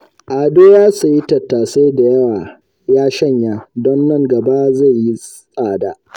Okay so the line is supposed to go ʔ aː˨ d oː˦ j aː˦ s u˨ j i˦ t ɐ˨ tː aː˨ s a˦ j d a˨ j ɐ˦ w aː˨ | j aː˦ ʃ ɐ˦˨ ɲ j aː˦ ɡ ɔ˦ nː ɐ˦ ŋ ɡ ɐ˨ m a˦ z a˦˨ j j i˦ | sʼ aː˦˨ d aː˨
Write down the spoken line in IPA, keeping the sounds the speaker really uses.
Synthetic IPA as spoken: ʔ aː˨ d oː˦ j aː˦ s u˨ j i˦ t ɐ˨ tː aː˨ s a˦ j d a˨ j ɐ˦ w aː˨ | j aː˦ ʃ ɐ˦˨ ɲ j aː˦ d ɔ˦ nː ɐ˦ ŋ ɡ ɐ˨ b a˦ z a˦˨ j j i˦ | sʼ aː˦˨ d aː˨